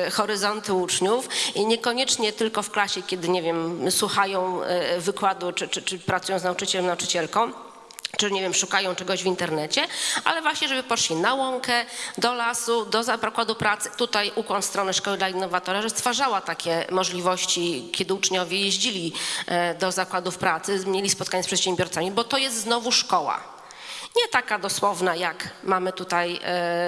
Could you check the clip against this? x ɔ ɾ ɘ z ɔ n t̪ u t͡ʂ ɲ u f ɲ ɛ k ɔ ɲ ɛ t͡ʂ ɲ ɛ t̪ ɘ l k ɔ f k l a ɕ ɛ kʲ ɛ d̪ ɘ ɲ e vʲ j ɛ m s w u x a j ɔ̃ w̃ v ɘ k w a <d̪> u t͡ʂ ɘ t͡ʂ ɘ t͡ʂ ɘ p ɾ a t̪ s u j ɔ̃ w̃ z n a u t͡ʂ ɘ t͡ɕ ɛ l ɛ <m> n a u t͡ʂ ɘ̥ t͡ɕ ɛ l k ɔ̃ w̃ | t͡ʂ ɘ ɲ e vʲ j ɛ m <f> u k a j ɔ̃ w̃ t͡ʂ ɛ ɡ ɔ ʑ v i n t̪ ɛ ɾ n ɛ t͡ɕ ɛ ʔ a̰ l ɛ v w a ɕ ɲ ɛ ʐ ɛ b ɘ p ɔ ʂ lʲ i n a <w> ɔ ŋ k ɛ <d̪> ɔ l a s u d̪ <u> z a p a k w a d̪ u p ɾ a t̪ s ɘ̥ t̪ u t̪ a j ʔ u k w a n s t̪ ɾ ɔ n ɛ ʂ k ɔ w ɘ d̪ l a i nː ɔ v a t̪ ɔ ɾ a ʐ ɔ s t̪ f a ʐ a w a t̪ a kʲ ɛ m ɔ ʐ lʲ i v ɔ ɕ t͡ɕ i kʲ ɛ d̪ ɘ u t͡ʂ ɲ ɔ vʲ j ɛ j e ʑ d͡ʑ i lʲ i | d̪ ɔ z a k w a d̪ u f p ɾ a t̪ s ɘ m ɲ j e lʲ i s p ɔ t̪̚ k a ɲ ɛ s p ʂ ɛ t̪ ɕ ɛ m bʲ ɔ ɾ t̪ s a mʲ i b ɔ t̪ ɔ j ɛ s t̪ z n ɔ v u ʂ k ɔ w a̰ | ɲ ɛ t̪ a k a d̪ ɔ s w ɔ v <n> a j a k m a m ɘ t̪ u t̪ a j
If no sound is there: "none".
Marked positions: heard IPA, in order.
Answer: d̪, m, ʂ, w, d̪, ɔ, n

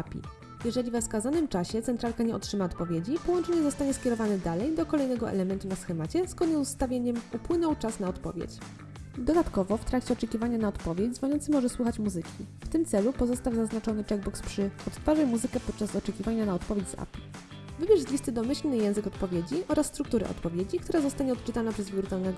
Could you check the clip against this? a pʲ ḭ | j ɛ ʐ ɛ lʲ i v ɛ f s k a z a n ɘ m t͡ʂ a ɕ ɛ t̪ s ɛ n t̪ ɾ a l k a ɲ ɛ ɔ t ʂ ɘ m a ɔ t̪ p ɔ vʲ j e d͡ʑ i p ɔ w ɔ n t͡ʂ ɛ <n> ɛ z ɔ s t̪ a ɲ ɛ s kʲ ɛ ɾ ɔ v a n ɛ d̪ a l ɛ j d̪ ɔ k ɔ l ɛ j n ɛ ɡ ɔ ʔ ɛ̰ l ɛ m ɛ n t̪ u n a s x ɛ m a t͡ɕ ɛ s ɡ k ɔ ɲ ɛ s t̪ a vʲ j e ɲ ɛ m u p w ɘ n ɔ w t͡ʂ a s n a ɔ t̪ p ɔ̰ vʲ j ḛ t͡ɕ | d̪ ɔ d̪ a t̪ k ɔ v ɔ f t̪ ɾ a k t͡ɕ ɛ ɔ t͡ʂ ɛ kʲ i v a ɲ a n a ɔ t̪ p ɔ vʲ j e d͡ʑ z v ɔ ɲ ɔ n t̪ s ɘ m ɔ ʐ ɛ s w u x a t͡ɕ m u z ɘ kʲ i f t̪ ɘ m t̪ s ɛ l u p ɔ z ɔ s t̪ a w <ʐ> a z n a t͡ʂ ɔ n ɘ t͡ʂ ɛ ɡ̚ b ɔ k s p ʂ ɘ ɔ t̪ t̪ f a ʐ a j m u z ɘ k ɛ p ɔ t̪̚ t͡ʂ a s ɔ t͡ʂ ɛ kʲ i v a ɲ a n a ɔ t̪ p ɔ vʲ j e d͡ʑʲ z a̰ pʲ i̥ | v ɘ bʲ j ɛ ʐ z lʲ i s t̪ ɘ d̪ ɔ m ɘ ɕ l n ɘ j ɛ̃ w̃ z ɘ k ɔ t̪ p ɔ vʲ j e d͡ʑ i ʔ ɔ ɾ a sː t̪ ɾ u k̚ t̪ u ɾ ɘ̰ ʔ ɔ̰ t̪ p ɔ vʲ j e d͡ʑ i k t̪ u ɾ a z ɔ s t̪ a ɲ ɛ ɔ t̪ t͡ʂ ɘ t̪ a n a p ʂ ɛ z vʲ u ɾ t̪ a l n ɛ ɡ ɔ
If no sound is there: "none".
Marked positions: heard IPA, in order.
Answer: ɲ, z

